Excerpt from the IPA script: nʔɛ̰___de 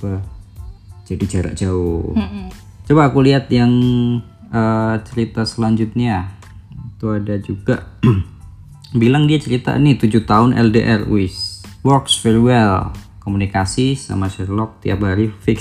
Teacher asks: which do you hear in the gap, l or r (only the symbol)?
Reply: l